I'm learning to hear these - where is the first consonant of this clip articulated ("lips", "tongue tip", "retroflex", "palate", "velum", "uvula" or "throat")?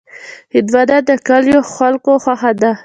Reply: throat